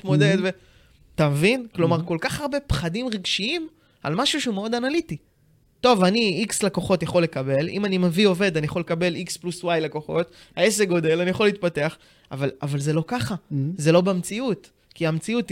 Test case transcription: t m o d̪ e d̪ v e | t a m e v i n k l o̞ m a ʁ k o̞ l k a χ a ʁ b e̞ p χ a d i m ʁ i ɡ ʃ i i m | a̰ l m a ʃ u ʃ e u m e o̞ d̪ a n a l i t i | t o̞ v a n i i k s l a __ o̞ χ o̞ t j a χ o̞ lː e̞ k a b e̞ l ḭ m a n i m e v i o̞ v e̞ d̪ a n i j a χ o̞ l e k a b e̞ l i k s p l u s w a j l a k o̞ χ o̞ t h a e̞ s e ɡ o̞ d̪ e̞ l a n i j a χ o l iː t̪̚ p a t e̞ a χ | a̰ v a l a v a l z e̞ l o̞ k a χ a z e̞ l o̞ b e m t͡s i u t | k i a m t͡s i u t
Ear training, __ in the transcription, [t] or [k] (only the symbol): k